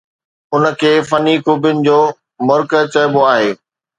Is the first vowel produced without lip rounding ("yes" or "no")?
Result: no